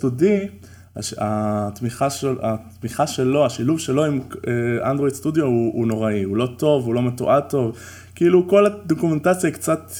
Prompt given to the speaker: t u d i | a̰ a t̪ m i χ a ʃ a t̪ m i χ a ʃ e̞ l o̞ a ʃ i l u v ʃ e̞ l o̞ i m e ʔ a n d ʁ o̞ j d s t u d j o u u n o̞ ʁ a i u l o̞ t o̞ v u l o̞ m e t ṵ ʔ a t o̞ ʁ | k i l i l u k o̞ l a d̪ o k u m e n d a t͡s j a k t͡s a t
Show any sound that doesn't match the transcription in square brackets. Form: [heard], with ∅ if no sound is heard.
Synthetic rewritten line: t u d i | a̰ a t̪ m i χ a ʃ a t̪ m i χ a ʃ e̞ l o̞ a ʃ i l u v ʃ e̞ l o̞ i m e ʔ a n d ʁ o̞ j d s t u d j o u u n o̞ ʁ a i u l o̞ t o̞ v u l o̞ m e t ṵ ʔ a t o̞ [v] | k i [∅] i l u k o̞ l a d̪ o k u m e n [t] a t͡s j a k t͡s a t